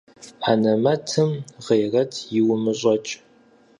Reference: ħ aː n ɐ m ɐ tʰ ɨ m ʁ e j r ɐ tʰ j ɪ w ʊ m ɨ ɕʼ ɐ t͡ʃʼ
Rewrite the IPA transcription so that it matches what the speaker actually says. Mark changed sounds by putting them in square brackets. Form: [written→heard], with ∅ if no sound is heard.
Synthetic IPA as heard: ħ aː n ɐ m ɐ tʰ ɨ m ʁ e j r ɐ tʰ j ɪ w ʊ m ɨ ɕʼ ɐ t͡ʃʼ